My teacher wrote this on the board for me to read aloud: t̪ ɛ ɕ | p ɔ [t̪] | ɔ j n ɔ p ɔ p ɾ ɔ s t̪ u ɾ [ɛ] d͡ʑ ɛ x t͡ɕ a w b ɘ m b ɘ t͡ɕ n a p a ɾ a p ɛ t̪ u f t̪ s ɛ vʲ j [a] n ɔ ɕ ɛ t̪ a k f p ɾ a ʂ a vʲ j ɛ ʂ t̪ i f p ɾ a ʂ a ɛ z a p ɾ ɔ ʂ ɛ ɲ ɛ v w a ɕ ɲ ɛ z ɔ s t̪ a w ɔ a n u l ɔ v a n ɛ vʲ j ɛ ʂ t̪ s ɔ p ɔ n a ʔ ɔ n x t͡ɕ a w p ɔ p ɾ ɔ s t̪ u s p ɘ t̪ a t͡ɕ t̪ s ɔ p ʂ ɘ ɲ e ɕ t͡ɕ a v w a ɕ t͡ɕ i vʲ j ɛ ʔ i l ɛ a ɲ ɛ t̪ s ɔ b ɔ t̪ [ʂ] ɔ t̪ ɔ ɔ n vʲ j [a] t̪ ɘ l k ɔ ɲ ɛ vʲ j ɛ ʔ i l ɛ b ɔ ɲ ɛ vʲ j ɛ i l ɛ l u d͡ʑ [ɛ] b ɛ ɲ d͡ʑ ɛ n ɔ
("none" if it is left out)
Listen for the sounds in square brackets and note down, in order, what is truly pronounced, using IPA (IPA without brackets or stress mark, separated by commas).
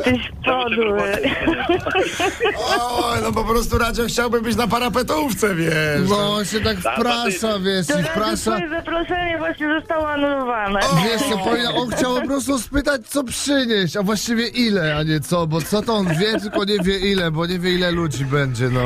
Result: d̪, a, ɛ, s, ɛ, i